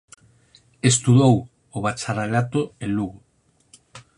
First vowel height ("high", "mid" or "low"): mid